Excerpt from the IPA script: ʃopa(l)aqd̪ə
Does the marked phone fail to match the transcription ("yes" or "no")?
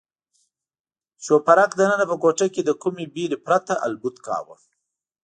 yes